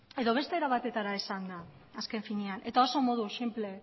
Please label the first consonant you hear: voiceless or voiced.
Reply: voiced